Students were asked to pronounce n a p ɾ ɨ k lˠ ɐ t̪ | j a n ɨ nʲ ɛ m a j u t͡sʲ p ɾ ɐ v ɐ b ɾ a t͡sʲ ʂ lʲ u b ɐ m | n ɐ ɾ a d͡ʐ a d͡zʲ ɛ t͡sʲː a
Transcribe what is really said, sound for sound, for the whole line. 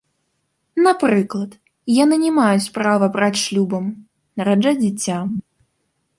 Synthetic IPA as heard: n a p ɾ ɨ k lˠ ɐ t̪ | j a n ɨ nʲ ɛ m a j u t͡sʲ p ɾ a v ɐ b ɾ a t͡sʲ ʂ lʲ u b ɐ m | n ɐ ɾ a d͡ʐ a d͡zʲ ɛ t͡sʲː a